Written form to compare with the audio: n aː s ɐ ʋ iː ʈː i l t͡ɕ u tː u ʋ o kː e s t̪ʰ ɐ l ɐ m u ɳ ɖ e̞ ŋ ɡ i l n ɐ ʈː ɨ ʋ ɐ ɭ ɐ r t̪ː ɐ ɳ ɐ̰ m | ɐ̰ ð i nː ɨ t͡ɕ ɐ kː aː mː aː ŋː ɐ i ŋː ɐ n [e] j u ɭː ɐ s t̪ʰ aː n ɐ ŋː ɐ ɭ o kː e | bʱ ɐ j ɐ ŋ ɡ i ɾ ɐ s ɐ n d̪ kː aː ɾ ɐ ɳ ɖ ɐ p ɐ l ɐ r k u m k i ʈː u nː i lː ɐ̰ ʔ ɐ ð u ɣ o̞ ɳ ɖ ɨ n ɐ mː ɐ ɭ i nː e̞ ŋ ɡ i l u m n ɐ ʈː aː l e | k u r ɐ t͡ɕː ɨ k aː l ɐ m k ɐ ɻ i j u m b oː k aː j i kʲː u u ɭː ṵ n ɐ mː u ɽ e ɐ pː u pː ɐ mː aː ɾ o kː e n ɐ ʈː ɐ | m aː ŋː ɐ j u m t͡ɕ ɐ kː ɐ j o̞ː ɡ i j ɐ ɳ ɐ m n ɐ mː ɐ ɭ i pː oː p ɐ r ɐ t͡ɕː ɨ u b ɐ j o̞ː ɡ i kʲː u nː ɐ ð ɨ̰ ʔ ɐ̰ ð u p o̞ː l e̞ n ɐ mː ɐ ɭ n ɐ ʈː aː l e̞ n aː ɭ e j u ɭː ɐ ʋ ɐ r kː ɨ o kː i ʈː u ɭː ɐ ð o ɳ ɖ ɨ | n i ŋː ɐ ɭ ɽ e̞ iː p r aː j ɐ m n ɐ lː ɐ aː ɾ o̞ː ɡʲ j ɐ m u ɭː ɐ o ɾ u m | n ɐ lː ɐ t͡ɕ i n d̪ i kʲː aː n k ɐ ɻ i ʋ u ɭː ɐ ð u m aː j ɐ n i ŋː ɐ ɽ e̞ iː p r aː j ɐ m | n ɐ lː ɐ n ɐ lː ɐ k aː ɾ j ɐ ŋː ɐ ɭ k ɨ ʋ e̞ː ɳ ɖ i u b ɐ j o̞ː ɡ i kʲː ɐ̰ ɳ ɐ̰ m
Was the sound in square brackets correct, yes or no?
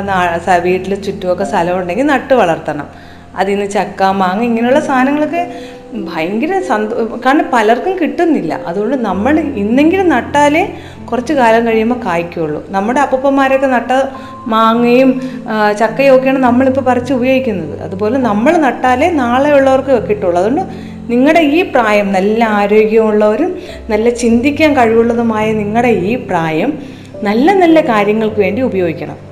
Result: yes